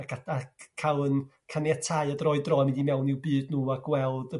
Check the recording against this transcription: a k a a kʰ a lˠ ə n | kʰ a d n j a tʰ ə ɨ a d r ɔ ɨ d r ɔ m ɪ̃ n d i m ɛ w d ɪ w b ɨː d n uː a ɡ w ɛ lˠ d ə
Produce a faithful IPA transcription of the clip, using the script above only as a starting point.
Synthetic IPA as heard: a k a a kʰ a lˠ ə n | kʰ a n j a tʰ a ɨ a d r ɔ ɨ d r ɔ m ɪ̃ n d i m ɛ w n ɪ w b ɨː d n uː a ɡ w ɛ lˠ d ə